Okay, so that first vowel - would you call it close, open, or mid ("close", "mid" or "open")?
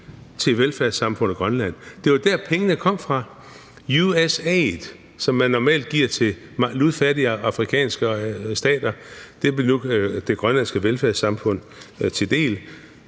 mid